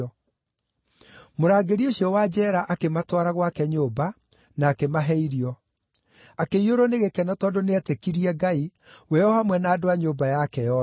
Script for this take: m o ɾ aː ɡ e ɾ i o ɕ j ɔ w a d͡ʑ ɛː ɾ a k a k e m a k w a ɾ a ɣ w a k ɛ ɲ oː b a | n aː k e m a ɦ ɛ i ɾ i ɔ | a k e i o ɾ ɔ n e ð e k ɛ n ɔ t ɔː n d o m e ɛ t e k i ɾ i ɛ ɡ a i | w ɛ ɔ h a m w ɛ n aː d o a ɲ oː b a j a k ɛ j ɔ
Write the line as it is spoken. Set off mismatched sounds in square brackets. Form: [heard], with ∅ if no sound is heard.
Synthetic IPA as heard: m o ɾ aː ɡ e ɾ i o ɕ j ɔ w a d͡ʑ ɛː ɾ a [ʔ] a k e m a [t] w a ɾ a ɣ w a k ɛ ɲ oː b a | n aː k e m a ɦ ɛ i ɾ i ɔ | a k e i o ɾ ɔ n e [ɣ] e k ɛ n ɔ t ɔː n d o [n] e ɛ t e k i ɾ i ɛ ɡ a i | w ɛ ɔ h a m w ɛ n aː d o a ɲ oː b a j a k ɛ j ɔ